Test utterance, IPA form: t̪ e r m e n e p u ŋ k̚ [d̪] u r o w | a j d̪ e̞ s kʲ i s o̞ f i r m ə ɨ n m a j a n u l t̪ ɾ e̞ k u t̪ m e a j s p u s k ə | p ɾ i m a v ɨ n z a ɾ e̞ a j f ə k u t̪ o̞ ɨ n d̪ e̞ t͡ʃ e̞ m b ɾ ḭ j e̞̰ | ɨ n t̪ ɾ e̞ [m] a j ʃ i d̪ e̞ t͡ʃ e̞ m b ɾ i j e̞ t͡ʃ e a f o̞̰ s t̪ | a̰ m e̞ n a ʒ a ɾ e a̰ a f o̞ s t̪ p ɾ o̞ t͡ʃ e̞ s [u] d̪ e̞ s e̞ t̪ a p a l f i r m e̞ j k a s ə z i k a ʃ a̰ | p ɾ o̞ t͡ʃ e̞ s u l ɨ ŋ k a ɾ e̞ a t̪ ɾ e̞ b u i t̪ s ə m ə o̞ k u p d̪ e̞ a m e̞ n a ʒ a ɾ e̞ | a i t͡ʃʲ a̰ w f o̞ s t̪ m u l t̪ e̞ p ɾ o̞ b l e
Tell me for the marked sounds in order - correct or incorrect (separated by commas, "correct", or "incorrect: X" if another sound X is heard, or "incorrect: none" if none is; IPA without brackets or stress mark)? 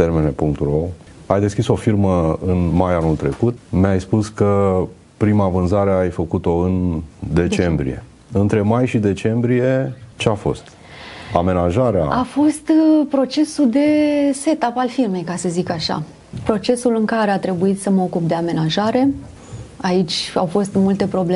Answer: incorrect: t̪, correct, correct